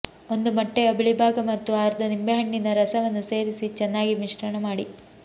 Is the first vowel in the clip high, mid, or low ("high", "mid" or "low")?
mid